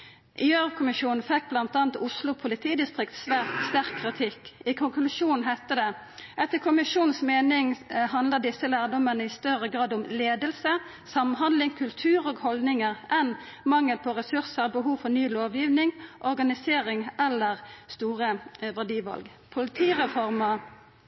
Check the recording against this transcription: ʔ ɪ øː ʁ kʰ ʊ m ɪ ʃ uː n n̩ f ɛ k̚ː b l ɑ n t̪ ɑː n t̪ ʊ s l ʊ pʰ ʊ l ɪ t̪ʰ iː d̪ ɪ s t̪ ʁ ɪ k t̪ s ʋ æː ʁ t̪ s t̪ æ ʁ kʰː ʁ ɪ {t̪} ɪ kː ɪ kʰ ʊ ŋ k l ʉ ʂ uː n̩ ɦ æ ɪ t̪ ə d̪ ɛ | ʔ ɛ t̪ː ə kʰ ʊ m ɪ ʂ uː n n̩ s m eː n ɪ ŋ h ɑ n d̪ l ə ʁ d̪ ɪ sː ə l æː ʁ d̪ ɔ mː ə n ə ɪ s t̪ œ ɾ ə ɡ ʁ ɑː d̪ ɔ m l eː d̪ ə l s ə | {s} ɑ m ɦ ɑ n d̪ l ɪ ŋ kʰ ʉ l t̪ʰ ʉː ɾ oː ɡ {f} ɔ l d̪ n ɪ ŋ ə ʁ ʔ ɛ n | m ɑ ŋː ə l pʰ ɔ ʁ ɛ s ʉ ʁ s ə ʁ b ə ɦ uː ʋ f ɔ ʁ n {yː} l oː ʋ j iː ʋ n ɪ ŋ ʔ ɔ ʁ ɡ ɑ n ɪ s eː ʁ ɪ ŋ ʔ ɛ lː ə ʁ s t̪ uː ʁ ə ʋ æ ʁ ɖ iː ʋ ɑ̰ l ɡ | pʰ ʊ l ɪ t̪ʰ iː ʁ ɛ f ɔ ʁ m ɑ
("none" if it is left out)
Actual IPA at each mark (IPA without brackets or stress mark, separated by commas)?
t̪ʰ, s, h, yː